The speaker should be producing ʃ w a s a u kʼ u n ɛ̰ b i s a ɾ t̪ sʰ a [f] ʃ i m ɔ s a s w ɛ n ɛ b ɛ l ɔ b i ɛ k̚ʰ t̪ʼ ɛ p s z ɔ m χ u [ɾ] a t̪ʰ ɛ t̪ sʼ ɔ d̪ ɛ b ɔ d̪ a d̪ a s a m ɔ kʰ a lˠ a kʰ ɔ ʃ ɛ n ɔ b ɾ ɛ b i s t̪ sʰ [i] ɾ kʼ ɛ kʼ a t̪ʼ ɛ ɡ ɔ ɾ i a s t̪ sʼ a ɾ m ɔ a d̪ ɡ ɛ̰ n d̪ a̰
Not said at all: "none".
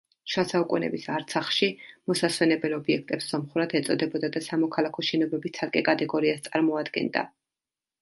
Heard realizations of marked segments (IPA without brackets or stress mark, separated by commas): χ, ɾ, a